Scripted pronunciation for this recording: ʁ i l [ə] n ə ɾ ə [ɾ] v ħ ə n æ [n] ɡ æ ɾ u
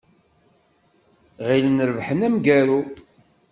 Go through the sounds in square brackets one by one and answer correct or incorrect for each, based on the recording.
correct, incorrect, incorrect

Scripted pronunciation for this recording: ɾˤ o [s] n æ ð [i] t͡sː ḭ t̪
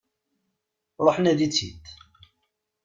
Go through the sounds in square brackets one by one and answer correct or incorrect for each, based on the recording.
incorrect, correct

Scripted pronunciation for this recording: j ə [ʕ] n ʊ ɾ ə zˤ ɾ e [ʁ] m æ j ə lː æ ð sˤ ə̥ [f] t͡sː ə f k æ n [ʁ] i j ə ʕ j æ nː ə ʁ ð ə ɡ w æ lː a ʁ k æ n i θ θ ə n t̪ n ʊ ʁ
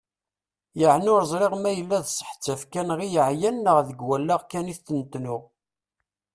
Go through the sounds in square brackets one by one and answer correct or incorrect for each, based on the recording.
correct, correct, incorrect, correct

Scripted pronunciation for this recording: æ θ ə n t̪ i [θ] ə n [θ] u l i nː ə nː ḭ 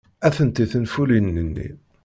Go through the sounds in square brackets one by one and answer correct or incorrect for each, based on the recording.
correct, incorrect

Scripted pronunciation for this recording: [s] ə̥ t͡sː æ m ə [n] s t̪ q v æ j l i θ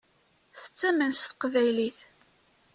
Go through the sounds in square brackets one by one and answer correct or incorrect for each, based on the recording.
incorrect, correct

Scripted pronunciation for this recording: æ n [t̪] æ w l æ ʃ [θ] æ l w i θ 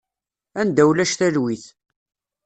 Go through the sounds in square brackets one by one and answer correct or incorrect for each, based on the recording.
incorrect, correct

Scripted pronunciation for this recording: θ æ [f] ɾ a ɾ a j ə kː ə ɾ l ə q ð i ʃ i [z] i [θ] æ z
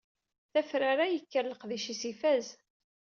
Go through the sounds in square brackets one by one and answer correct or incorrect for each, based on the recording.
correct, incorrect, incorrect

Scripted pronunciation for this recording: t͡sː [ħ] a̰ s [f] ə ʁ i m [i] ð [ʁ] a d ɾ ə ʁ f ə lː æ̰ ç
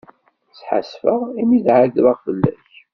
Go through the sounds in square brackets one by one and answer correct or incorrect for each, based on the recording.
correct, correct, correct, incorrect

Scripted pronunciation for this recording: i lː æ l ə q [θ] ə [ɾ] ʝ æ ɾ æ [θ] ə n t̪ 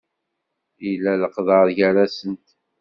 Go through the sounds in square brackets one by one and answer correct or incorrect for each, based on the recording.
incorrect, correct, incorrect

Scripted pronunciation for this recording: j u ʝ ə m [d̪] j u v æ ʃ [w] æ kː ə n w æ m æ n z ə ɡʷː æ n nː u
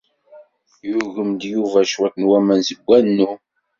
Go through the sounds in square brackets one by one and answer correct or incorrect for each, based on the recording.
correct, correct

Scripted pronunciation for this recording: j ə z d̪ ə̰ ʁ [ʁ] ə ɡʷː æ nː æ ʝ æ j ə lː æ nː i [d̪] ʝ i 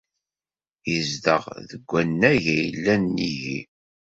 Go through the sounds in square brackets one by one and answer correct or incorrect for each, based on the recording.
incorrect, incorrect

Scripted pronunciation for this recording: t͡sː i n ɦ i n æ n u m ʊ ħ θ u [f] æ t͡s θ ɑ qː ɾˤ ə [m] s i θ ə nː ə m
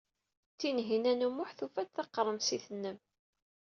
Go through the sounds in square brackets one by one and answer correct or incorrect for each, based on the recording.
correct, correct

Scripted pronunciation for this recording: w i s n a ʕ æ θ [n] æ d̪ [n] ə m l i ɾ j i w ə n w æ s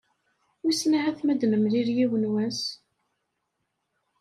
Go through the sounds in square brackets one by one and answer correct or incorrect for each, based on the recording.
incorrect, correct

